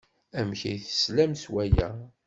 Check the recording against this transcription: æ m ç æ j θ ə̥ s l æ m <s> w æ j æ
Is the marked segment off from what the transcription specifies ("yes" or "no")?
no